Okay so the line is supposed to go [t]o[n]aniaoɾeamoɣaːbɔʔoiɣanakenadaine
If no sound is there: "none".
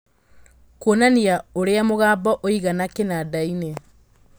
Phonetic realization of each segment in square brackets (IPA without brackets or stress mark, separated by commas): k, n